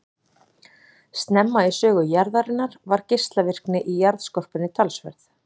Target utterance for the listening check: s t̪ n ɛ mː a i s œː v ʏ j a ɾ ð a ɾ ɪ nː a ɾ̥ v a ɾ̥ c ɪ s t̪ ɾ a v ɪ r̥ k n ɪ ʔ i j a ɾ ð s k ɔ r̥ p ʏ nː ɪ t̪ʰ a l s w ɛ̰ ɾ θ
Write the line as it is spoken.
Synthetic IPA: s t̪ n ɛ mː a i s œː ɣ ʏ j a ɾ ð a ɾ ɪ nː a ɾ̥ v a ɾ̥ c ɪ s t̪ l a v ɪ r̥ k n ɪ ʔ i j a ɾ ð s k ɔ r̥ p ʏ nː ɪ t̪ʰ a l s v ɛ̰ ɾ θ